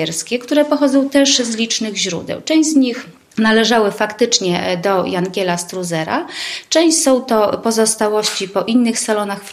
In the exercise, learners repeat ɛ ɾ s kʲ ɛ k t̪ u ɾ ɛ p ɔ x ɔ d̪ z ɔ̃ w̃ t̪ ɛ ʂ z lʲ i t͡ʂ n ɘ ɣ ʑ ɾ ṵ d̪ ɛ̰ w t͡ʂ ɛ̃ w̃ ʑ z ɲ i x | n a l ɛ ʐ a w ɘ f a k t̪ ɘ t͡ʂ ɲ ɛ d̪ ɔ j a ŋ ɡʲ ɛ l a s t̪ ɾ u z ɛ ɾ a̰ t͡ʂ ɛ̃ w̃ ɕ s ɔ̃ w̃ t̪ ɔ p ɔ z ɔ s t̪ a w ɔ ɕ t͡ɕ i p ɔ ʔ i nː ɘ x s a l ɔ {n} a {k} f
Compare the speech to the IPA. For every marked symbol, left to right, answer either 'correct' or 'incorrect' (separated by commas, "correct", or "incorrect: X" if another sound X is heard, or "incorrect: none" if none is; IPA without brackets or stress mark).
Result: correct, incorrect: x